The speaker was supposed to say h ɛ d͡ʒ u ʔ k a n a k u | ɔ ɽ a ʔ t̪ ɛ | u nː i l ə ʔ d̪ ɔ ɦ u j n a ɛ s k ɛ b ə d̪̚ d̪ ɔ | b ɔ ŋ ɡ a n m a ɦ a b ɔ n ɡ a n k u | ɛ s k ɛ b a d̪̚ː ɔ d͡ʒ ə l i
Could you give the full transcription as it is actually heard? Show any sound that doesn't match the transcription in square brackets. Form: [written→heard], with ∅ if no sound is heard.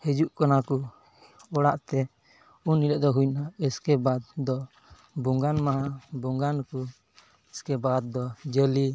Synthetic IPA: h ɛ d͡ʒ u ʔ k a n a k u | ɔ ɽ a ʔ t̪ ɛ | u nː i l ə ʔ d̪ ɔ ɦ u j n a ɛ s k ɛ b [ə→a] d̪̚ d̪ ɔ | b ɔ ŋ ɡ a n m a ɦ a b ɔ [n→ŋ] ɡ a n k u | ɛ s k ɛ b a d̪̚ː ɔ d͡ʒ ə l i